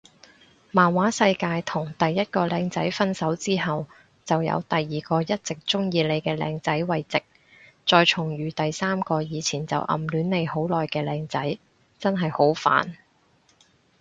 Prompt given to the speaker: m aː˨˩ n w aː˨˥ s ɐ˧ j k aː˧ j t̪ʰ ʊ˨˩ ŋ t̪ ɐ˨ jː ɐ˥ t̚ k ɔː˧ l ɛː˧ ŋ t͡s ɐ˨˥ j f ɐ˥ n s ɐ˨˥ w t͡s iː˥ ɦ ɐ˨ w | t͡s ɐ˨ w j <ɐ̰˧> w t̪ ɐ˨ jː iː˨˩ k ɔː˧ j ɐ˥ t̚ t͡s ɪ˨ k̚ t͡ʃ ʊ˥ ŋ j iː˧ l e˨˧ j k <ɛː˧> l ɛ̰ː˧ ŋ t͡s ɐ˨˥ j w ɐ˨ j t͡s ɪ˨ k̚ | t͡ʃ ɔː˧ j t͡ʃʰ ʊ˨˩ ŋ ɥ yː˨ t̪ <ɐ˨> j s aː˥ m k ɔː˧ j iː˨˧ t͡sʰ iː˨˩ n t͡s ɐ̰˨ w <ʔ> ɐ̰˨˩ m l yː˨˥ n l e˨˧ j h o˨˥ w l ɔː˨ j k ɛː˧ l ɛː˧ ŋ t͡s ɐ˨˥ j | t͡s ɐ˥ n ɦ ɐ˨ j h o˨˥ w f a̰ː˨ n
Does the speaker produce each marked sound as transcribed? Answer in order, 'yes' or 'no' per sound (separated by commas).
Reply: yes, yes, yes, yes